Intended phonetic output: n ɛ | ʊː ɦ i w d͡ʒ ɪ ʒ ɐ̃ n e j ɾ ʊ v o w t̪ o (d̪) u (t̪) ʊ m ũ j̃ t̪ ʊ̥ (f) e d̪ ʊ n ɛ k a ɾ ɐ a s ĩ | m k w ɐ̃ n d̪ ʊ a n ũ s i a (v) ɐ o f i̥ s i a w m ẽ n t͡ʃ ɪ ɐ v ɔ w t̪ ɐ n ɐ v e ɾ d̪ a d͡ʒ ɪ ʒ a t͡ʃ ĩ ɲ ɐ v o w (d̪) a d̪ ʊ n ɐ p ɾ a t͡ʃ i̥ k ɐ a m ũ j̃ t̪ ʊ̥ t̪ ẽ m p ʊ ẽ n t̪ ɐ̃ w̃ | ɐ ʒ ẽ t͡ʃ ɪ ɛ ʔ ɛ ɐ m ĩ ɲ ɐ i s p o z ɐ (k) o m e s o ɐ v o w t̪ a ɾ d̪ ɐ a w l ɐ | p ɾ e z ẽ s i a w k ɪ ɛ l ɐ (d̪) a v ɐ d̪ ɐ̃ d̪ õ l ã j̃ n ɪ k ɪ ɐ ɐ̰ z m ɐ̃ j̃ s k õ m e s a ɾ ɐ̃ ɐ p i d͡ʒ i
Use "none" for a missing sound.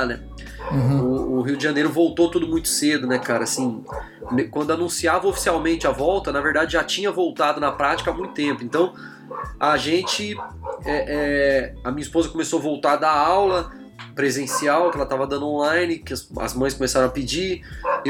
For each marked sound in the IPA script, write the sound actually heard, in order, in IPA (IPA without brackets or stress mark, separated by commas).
t̪, d̪, s, v, t̪, k, t̪